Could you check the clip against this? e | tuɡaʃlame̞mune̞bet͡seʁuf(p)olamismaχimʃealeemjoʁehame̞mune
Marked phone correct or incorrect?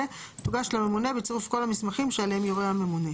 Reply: incorrect